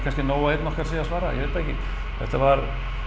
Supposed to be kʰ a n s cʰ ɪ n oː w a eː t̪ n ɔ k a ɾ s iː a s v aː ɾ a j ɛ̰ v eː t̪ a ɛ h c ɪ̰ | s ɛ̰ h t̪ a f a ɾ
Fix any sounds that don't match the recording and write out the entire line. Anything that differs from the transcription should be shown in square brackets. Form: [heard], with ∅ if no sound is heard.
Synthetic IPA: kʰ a n s [c] ɪ n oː w a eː t̪ n ɔ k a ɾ s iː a s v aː ɾ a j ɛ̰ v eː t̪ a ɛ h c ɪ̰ | [θ] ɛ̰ h t̪ a [v] a ɾ